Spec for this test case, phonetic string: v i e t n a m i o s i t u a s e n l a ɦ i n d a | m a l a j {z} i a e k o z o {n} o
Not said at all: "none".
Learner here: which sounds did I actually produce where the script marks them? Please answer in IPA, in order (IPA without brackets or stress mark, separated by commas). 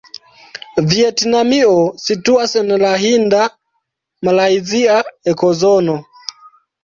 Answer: z, n